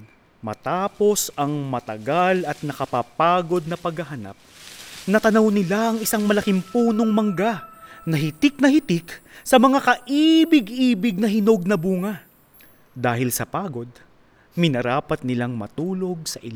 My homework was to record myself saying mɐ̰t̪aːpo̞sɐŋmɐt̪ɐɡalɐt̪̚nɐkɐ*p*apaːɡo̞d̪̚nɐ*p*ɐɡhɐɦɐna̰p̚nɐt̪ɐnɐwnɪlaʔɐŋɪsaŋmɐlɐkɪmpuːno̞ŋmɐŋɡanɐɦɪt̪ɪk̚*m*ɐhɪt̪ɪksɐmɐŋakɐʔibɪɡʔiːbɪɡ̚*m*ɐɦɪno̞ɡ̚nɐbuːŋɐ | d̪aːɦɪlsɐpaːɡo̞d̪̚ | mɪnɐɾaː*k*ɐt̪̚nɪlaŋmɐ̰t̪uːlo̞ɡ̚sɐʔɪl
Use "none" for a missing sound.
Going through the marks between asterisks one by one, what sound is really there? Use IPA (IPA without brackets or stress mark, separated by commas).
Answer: p, p, n, n, p